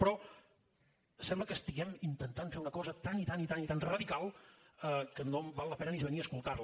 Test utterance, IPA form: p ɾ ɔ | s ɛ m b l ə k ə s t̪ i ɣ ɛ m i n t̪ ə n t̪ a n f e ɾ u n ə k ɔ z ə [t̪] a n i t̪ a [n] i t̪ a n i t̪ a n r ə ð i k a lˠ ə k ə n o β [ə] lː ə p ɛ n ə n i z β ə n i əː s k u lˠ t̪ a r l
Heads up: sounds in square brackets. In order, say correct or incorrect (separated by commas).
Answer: correct, correct, incorrect